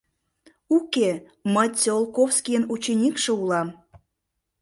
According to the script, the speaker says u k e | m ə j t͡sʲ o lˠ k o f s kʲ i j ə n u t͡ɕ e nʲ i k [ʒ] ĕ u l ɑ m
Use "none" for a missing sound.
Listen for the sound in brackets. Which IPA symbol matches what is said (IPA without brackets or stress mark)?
ʃ